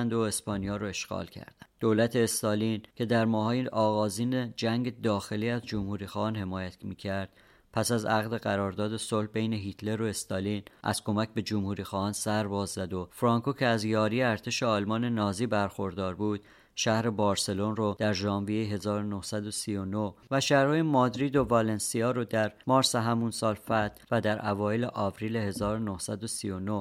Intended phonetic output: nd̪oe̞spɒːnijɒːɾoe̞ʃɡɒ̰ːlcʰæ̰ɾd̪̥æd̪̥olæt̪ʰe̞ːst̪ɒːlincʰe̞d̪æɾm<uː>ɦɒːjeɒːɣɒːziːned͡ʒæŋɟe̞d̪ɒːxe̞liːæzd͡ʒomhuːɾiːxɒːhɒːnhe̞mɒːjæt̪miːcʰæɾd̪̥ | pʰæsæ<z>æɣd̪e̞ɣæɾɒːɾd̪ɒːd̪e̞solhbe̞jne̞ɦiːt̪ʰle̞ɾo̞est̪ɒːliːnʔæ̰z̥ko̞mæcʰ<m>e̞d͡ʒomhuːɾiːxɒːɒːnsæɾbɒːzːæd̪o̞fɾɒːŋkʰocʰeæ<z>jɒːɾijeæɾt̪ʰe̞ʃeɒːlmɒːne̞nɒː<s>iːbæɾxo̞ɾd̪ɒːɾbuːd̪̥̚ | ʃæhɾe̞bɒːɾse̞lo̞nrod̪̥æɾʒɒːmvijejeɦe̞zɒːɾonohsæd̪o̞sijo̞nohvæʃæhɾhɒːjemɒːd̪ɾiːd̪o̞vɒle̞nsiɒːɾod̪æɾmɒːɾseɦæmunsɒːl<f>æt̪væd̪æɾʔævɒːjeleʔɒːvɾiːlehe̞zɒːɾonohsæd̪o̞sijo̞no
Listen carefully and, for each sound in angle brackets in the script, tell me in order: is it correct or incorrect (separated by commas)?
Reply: incorrect, correct, incorrect, correct, incorrect, correct